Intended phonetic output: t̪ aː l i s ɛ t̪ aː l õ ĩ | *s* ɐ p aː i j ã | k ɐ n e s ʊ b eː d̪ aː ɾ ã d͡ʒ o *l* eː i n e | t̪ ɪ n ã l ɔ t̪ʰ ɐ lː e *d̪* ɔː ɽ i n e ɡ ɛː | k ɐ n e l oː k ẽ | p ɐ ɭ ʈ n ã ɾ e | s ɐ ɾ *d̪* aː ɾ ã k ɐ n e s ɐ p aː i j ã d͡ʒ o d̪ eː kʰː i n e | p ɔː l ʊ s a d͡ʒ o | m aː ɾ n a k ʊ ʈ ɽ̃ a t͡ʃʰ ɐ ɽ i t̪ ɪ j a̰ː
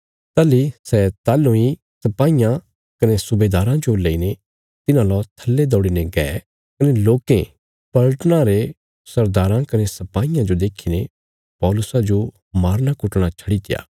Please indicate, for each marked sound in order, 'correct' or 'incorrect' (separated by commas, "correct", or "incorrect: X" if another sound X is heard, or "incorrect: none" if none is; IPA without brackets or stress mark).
correct, correct, correct, correct